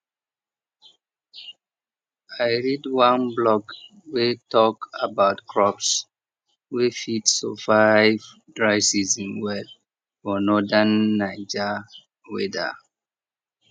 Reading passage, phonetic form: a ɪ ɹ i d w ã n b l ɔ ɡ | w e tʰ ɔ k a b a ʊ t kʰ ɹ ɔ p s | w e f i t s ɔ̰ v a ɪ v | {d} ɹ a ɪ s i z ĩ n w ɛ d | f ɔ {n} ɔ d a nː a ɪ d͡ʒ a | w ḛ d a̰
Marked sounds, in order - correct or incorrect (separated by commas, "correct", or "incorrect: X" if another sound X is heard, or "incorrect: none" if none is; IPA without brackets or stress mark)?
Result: correct, correct